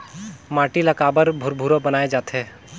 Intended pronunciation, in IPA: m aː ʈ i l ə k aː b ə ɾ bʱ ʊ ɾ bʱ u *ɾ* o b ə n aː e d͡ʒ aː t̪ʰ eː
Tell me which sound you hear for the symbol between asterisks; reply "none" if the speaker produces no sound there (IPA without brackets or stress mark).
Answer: ɾ